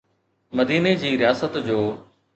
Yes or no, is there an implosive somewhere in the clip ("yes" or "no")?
no